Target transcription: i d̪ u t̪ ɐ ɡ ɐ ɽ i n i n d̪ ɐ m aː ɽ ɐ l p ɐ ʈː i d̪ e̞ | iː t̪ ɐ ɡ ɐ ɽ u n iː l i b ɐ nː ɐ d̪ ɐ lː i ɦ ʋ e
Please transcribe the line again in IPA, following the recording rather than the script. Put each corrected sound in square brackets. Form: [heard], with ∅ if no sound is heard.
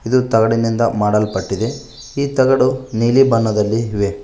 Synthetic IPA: i d̪ u t̪ ɐ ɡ ɐ ɽ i n i n d̪ ɐ m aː ɽ ɐ l p ɐ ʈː i d̪ e̞ | iː t̪ ɐ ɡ ɐ ɽ u n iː l i b ɐ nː ɐ d̪ ɐ lː i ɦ ʋ e